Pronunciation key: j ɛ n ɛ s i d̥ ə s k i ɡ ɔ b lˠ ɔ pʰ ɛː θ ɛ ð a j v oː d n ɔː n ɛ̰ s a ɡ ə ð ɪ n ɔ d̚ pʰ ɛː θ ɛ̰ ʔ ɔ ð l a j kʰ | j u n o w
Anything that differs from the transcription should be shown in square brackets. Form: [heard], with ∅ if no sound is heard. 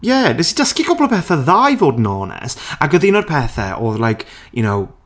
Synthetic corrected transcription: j ɛ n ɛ s i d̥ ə s k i ɡ ɔ b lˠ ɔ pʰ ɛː θ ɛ ð a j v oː d n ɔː n ɛ̰ s a ɡ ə ð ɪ n ɔ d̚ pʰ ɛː θ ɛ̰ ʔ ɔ ð l a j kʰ | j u n o w

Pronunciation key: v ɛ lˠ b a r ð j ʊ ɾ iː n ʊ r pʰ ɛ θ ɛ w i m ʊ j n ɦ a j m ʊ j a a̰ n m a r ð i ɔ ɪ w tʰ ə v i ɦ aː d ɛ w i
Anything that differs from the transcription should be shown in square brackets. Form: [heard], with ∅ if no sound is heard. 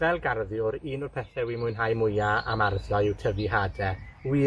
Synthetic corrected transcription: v ɛ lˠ [ɡ] a r ð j ʊ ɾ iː n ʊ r pʰ ɛ θ ɛ w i m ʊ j n ɦ a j m ʊ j a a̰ [∅] m a r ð [j] ɔ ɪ w tʰ ə v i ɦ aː d ɛ w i

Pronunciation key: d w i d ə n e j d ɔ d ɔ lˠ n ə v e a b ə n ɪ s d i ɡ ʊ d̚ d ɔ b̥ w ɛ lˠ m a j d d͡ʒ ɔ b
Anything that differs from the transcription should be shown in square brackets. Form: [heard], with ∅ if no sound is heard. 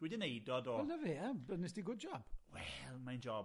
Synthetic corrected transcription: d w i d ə n e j d ɔ d ɔ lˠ n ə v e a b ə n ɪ s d i ɡ ʊ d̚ [d͡ʒ] ɔ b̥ w ɛ lˠ m a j [n] d͡ʒ ɔ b

